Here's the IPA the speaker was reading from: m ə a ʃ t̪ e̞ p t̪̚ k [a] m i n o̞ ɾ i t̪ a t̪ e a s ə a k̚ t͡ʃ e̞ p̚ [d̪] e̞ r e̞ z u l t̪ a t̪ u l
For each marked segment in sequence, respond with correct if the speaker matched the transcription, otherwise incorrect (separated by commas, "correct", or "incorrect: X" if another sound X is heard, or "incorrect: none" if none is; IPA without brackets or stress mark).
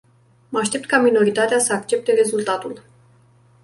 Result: correct, incorrect: t̪